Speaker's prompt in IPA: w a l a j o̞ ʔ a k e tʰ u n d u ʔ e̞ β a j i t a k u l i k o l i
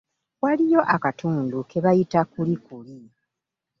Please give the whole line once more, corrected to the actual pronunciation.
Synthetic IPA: w a l i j o̞ ʔ a k a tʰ uː n d u k e̞ β a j i t a k u l i k u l i